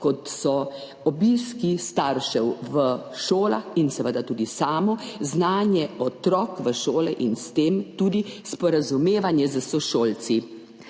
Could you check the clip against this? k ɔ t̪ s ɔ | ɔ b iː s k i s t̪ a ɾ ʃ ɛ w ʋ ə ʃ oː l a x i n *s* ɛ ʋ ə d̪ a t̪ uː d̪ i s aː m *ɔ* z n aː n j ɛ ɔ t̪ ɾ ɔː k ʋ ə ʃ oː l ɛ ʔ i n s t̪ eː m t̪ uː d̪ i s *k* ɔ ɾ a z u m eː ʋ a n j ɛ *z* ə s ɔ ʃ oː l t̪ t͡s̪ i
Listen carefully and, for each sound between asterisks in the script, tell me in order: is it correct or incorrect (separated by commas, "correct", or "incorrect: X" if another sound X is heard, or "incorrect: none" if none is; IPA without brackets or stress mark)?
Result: correct, correct, incorrect: p, correct